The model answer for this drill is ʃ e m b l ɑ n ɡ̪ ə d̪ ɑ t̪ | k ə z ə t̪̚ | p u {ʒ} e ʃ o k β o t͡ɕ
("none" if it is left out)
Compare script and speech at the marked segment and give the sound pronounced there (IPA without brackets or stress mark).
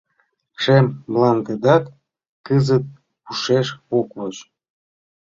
ʃ